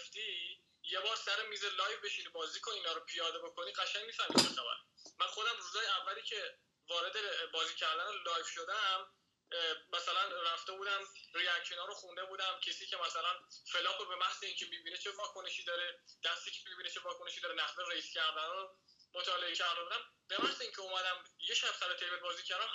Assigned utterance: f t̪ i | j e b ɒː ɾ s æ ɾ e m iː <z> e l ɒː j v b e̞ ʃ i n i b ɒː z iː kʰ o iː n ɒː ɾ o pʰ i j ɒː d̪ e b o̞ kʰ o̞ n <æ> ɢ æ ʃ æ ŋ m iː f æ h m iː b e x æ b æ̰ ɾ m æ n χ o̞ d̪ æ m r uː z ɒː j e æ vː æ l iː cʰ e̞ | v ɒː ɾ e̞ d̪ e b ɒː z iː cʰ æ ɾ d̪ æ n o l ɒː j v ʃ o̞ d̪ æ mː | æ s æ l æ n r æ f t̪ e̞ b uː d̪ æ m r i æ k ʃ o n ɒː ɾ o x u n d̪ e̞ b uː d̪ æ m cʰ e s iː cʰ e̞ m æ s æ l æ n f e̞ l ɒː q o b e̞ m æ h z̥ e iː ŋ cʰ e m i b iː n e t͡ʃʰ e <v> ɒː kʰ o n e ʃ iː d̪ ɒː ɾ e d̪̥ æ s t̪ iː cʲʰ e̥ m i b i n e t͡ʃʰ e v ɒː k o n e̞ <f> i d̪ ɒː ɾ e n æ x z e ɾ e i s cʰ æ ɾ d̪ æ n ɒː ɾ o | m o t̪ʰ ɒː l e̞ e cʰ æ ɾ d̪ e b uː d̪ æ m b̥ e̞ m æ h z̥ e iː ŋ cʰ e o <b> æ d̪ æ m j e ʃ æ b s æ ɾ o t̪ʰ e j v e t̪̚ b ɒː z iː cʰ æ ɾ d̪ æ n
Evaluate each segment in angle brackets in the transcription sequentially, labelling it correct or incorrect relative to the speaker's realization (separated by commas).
correct, incorrect, correct, incorrect, incorrect